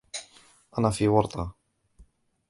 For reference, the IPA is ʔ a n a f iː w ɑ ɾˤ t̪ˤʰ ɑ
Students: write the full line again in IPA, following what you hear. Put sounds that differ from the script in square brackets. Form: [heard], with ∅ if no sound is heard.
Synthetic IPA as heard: ʔ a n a f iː w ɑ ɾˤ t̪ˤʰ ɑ